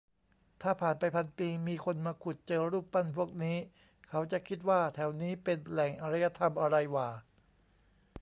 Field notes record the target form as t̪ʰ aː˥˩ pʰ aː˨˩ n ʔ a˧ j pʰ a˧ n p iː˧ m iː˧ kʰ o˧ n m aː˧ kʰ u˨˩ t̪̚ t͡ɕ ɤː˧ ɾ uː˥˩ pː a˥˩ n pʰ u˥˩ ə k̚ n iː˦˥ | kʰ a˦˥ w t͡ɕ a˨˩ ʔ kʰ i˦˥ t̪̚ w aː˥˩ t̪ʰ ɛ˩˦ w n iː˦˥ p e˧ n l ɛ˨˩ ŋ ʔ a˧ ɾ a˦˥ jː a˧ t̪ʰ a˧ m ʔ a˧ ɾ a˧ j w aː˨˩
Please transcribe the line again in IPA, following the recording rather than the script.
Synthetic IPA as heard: t̪ʰ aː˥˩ pʰ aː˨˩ n p a˧ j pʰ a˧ n p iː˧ m iː˧ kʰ o˧ n m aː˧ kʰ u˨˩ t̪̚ t͡ɕ ɤː˧ ɾ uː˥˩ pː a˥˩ n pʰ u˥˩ ə k̚ n iː˦˥ | kʰ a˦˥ w t͡ɕ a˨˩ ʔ kʰ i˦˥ t̪̚ w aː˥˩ t̪ʰ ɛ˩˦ w n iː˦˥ p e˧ n l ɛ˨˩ ŋ ʔ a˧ ɾ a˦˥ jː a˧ t̪ʰ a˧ m ʔ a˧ ɾ a˧ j w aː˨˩